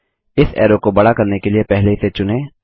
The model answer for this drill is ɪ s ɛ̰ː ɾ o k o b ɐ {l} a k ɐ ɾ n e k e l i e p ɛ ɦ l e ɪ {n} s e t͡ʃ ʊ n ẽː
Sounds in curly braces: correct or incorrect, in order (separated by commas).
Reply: incorrect, incorrect